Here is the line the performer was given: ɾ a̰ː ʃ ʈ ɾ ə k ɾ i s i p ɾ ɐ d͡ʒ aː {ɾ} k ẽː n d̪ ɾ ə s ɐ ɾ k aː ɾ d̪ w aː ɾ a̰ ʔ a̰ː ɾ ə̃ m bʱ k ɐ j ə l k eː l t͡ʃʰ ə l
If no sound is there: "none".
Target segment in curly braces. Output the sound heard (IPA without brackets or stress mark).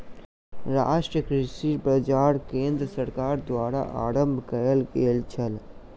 ɾ